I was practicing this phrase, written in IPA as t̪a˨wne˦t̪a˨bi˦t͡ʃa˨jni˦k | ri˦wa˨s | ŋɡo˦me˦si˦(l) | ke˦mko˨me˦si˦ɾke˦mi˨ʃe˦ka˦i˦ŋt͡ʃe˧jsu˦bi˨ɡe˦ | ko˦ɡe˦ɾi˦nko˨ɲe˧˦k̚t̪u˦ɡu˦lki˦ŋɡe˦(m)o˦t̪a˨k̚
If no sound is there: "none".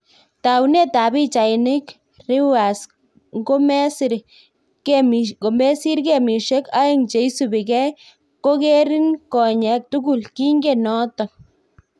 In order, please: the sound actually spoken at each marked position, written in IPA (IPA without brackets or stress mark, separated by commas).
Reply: ɾ, n